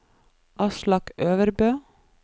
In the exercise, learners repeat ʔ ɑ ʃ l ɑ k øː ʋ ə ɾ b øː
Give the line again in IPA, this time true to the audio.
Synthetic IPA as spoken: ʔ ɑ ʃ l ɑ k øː ʋ ə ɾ b øː